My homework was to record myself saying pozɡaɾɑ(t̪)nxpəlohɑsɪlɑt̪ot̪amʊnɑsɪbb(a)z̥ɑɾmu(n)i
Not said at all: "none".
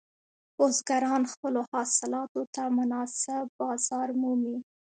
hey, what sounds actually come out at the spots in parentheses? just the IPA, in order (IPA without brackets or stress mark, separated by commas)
none, ɑ, m